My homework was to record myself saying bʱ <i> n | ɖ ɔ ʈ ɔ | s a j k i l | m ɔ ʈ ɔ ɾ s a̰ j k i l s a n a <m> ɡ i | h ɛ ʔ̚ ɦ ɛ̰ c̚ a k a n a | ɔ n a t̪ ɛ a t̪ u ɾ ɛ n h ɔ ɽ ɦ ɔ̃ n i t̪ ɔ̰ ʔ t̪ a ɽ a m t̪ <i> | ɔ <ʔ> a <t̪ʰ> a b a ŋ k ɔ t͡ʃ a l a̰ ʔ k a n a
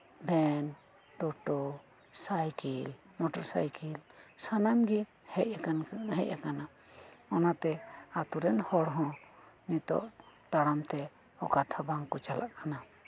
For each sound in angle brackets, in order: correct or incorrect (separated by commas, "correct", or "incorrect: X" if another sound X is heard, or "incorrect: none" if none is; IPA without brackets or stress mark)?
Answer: incorrect: ɛ, correct, incorrect: ɛ, incorrect: k, correct